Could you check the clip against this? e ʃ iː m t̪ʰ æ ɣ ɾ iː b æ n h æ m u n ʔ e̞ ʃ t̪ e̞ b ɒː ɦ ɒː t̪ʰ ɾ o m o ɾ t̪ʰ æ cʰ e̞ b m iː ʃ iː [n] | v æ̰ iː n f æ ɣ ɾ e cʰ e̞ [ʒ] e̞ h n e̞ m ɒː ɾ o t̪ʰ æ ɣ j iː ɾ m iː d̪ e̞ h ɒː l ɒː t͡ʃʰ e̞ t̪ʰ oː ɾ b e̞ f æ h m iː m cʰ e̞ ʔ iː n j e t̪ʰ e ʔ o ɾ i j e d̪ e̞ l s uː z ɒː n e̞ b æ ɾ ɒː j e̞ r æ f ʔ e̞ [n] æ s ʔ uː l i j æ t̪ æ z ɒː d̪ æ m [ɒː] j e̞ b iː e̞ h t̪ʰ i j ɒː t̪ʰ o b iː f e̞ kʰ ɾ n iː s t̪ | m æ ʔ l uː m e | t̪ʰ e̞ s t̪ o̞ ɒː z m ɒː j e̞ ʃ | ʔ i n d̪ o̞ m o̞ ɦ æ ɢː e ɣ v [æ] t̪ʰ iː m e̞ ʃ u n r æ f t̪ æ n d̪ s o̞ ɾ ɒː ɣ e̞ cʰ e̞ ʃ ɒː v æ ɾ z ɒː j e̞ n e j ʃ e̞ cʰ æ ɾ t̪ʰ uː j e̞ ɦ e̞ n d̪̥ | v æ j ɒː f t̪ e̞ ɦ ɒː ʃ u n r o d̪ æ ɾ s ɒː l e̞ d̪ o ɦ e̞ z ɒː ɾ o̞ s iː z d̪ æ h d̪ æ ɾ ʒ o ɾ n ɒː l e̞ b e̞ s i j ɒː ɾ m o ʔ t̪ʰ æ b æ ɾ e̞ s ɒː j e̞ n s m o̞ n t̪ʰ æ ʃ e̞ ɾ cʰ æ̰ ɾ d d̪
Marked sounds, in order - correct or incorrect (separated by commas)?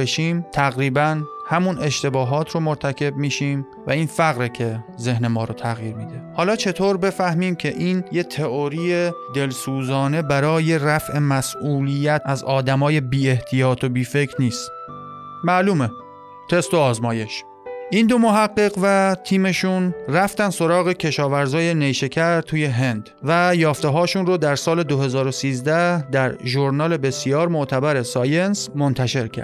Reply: incorrect, incorrect, incorrect, correct, correct